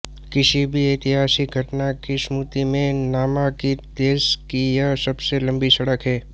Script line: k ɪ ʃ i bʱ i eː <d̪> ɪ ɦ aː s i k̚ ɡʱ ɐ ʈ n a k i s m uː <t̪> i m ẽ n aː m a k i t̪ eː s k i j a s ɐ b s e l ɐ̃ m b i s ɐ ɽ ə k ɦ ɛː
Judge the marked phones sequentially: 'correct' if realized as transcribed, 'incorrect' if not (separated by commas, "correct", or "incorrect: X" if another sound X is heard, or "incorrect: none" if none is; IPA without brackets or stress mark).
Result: incorrect: t̪, correct